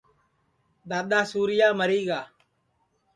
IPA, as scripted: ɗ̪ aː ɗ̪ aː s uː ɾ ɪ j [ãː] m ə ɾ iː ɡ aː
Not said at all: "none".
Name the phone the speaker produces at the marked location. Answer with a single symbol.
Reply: aː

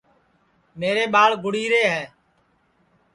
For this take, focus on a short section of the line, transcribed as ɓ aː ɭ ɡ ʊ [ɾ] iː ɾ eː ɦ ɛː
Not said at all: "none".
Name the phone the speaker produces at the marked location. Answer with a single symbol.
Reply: ɽ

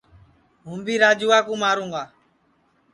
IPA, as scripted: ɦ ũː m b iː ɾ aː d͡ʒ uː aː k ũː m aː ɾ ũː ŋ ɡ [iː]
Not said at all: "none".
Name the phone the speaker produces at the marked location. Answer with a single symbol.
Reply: aː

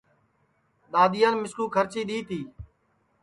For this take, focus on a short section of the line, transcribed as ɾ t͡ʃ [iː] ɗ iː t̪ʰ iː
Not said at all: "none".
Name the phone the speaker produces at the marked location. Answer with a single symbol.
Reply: iː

